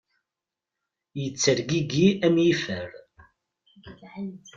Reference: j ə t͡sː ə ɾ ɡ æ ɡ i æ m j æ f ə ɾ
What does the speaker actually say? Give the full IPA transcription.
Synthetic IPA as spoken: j ə t͡sː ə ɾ ɡ i ɡ i æ m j i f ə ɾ